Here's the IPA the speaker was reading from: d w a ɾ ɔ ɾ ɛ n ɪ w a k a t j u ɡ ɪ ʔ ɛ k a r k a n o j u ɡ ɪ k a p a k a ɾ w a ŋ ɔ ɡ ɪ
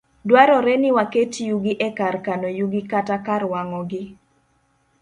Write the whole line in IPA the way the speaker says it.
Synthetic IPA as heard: d w a ɾ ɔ ɾ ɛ n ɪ w a k e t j u ɡ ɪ ʔ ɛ k a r k a n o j u ɡ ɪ k a t a k a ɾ w a ŋ ɔ ɡ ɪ